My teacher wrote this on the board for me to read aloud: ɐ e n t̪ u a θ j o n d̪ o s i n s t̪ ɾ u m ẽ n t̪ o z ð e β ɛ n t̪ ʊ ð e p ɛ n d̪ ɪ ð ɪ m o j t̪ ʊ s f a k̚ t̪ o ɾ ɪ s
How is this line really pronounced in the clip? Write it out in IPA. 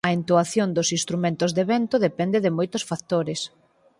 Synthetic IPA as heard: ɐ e n t̪ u a θ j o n d̪ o s i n s t̪ ɾ u m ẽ n t̪ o z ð e β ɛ n t̪ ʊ ð e p ɛ n d̪ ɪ ð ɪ m o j t̪ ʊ s f a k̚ t̪ o ɾ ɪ s